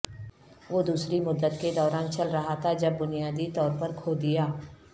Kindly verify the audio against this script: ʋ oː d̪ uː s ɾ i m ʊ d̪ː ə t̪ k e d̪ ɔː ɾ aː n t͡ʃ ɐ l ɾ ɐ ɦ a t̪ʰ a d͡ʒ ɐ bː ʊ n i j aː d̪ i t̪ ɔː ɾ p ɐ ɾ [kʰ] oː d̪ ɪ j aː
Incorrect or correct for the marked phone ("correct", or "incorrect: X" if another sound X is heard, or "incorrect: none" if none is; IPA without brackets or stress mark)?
correct